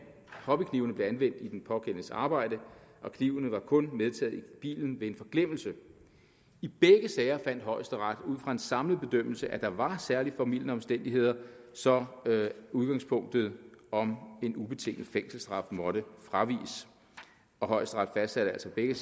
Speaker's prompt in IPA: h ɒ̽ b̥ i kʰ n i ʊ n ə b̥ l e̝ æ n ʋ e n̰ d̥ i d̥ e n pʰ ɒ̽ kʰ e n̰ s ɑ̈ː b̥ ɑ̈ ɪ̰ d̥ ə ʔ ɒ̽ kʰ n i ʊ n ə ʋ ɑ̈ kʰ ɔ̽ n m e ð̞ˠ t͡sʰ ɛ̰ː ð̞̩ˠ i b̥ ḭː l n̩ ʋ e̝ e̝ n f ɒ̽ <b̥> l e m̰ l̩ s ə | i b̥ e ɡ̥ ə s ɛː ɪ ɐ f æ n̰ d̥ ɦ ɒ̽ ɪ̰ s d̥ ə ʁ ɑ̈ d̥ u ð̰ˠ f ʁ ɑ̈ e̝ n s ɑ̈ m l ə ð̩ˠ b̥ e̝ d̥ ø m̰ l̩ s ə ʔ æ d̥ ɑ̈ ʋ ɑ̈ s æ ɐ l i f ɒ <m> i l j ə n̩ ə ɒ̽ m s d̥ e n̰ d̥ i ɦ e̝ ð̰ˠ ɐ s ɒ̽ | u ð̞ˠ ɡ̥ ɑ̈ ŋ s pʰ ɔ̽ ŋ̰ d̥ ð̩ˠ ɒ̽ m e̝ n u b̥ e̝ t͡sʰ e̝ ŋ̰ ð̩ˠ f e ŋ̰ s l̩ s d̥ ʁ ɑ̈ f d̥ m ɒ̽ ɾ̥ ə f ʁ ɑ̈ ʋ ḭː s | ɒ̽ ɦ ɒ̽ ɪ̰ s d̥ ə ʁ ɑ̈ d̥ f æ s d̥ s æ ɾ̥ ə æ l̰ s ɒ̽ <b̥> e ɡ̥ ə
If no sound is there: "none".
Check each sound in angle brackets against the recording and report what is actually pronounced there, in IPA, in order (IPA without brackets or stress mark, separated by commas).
ɡ̥, m, b̥